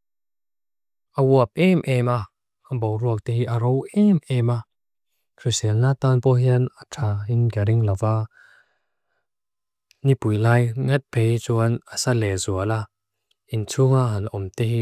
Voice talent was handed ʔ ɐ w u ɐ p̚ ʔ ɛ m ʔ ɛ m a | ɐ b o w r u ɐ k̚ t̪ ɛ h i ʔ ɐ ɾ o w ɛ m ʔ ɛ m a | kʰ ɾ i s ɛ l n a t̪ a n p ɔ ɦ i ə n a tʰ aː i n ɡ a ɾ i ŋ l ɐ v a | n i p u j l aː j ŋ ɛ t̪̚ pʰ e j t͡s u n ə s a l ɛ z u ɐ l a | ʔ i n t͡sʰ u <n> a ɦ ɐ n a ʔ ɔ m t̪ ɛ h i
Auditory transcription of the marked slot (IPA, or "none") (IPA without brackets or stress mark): ŋ